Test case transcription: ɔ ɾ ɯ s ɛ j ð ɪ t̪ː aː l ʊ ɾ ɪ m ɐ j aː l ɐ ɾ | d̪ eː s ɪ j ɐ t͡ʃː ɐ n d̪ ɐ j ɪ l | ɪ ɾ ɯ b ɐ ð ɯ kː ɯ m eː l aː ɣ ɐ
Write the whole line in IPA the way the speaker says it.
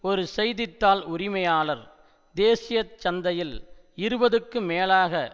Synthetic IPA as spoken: ɔ ɾ ɯ s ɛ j ð ɪ t̪ː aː l ʊ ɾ ɪ m ɐ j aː l ɐ ɾ | d̪ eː s ɪ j ɐ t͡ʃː ɐ n d̪ ɐ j ɪ l | ɪ ɾ ɯ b ɐ ð ɯ kː ɯ m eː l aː ɣ ɐ